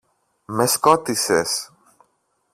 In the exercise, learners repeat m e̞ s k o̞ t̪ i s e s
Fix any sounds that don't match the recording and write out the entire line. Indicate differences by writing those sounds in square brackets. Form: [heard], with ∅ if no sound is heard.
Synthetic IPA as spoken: m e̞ s k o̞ t̪ i s e s

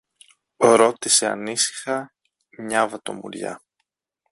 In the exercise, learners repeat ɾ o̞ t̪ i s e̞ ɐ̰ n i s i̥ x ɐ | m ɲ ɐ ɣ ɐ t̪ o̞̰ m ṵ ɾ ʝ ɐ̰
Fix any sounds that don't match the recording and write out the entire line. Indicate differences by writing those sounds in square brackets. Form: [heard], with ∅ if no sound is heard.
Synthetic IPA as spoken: ɾ o̞ t̪ i s e̞ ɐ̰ n i s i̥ x ɐ | m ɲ ɐ [v] ɐ t̪ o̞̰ m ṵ ɾ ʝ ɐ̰

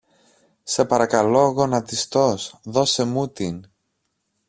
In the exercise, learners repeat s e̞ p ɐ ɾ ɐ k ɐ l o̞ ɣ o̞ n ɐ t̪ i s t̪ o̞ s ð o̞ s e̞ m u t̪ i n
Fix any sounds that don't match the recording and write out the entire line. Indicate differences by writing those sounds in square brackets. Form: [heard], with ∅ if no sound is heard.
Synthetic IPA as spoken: s e̞ p ɐ ɾ ɐ k ɐ l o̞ ɣ o̞ n ɐ t̪ i s t̪ o̞ s ð o̞ s e̞ m u t̪ i n

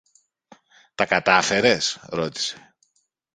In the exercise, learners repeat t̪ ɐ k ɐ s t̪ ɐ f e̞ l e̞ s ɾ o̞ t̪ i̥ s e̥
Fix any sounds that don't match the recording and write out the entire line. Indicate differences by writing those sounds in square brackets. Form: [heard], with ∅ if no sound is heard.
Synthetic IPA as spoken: t̪ ɐ k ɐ [∅] t̪ ɐ f e̞ [ɾ] e̞ s ɾ o̞ t̪ i̥ s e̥

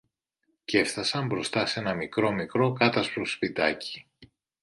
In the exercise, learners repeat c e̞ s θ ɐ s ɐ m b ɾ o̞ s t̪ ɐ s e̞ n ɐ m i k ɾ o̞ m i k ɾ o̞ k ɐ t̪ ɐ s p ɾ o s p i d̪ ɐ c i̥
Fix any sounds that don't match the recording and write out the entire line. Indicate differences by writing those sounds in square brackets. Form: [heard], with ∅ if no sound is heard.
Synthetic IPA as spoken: c e̞ [f] θ ɐ s ɐ m b ɾ o̞ s t̪ ɐ s e̞ n ɐ m i k ɾ o̞ m i k ɾ o̞ k ɐ t̪ ɐ s p ɾ o s p i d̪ ɐ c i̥

